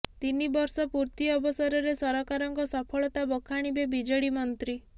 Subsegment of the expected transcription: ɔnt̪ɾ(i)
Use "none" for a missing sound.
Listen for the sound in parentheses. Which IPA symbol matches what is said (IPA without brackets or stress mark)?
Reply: i